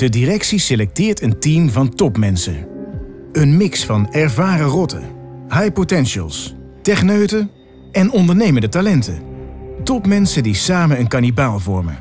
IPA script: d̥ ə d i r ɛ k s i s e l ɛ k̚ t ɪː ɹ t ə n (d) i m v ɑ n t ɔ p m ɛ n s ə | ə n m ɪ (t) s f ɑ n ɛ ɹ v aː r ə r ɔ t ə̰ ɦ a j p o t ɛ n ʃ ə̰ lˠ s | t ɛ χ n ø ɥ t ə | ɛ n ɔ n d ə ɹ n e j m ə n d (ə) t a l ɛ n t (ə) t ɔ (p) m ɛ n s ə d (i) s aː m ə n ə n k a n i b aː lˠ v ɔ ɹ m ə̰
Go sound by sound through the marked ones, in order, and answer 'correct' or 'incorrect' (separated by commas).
incorrect, incorrect, correct, correct, correct, correct